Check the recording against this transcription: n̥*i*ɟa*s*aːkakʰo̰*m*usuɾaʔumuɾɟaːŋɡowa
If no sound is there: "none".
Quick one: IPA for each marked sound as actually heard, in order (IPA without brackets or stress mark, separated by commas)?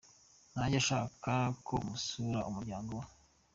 a, ʃ, m